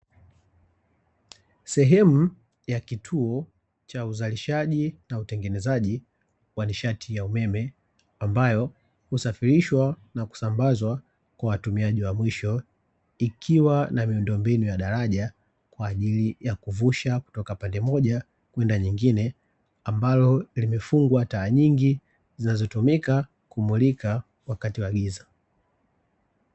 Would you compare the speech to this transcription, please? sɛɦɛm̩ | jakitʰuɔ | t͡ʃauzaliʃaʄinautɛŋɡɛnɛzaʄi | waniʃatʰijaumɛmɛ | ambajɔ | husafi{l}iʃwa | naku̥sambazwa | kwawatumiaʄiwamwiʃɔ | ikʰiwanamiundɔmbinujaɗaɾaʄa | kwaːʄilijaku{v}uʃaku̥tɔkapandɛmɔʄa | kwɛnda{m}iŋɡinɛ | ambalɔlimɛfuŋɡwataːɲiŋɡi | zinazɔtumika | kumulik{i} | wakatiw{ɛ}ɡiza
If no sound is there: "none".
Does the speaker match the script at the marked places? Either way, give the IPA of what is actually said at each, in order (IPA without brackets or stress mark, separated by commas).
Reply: ɾ, v, ɲ, a, a